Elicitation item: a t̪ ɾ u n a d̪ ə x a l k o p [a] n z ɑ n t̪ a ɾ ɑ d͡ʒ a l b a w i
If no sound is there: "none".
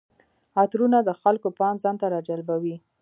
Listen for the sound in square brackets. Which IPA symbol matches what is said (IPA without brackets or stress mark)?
ɑ